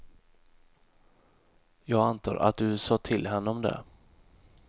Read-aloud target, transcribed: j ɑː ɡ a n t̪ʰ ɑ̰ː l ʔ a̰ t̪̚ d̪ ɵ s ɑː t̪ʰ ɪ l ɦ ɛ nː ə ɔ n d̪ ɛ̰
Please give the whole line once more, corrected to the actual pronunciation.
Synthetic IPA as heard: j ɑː ɡ a n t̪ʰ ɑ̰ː ɾ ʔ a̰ t̪̚ d̪ ɵ s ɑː t̪ʰ ɪ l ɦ ɛ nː ə ɔ m d̪ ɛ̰